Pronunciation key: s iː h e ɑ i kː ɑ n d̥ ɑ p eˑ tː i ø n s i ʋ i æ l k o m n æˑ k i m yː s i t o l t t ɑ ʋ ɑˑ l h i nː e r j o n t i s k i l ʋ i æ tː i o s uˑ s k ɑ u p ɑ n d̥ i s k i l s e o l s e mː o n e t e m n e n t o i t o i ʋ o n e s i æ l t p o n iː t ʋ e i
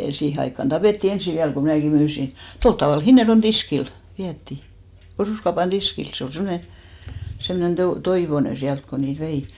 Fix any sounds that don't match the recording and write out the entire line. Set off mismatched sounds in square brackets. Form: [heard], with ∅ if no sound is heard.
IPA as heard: s iː h e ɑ i kː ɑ n d̥ ɑ p eˑ tː i [e] n s i ʋ i æ l k o m n æˑ k i m yː s i t o l t t ɑ ʋ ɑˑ l h i nː e r j o n t i s k i l ʋ i æ tː i o s uˑ s k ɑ u p ɑ n d̥ i s k i l s e o l s e mː o n e [s] e m n e n t o i t o i ʋ o n e s i æ l t [k] o n iː t ʋ e i